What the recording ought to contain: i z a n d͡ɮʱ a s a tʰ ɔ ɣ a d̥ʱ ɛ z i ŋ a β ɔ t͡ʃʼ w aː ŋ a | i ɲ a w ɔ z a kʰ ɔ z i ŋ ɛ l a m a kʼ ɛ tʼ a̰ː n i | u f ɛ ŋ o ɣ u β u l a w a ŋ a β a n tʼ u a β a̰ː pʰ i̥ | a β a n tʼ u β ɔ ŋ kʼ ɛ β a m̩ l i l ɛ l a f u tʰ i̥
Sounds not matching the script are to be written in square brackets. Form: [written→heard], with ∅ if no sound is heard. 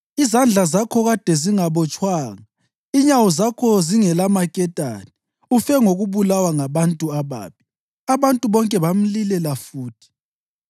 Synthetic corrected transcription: i z a n d͡ɮʱ a [s→z] a [tʰ→kʰ] ɔ ɣ a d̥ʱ ɛ z i ŋ a β ɔ t͡ʃʼ w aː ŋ a | i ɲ a w ɔ z a kʰ ɔ z i ŋ ɛ l a m a kʼ ɛ tʼ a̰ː n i | u f ɛ ŋ o ɣ u β u l a w a ŋ a β a n tʼ u a β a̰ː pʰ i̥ | a β a n tʼ u β ɔ ŋ kʼ ɛ β a m̩ l i l ɛ l a f [u→uː] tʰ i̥